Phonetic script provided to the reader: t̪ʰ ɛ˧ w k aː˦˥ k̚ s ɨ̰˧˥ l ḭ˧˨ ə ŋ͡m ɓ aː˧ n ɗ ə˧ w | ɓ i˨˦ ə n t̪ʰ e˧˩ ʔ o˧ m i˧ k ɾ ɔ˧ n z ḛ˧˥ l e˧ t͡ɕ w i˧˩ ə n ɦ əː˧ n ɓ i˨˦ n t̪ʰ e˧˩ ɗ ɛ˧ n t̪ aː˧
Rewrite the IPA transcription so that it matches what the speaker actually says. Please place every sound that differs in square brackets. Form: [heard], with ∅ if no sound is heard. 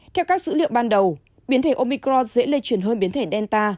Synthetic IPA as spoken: t̪ʰ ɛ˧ w k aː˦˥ k̚ s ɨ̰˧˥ l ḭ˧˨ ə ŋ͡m ɓ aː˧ n ɗ [ə˨˩] w | ɓ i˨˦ ə n t̪ʰ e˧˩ ʔ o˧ m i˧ k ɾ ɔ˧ n z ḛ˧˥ l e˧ t͡ɕ w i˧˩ ə n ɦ əː˧ n ɓ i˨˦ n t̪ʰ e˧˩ ɗ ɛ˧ n t̪ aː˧